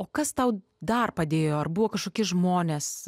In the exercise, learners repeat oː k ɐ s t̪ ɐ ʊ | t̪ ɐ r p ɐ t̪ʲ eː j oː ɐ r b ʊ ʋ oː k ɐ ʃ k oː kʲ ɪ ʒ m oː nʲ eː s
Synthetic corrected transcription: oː k ɐ s t̪ ɐ ʊ | d̪ ɐ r p ɐ d̪ʲ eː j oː ɐ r b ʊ ʋ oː k ɐ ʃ k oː kʲ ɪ ʒ m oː nʲ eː s